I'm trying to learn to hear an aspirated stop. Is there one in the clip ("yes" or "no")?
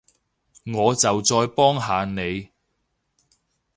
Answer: no